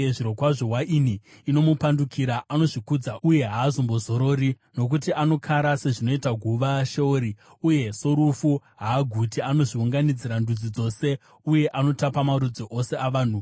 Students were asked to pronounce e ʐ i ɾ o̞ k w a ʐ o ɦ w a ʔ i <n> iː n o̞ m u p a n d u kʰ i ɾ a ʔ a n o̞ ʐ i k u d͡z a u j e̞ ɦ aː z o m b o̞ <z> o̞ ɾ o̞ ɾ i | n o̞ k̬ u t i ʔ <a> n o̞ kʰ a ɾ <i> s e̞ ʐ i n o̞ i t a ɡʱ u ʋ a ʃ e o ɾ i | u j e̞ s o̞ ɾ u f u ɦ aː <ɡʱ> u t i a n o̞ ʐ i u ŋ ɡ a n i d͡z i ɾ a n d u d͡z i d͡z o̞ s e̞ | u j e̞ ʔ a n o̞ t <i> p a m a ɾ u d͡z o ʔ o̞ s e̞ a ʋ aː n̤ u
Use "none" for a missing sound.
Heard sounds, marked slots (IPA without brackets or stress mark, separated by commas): n, z, a, a, ɡʱ, a